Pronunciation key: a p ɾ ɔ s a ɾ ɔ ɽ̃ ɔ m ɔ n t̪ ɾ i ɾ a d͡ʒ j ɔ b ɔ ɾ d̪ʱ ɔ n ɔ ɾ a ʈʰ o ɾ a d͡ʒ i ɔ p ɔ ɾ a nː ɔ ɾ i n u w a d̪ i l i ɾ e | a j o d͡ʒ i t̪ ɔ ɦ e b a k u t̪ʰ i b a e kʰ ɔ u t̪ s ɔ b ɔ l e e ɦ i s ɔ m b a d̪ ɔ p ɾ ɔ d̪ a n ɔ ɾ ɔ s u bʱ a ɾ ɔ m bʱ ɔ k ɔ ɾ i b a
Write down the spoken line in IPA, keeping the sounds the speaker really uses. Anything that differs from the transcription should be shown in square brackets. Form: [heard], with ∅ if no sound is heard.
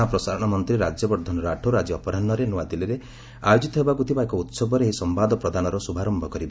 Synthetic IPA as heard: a p ɾ ɔ s a ɾ ɔ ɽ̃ ɔ m ɔ n t̪ ɾ i ɾ a d͡ʒ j ɔ b ɔ ɾ d̪ʱ ɔ n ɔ ɾ a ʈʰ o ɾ a d͡ʒ i ɔ p ɔ ɾ a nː ɔ ɾ [e] n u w a d̪ i l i ɾ e | a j o d͡ʒ i t̪ ɔ ɦ e b a k u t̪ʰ i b a e [k] ɔ u t̪ s ɔ b ɔ [ɾ] e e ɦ i s ɔ m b a d̪ ɔ p ɾ ɔ d̪ a n ɔ ɾ ɔ s u bʱ a ɾ ɔ m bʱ ɔ k ɔ ɾ i b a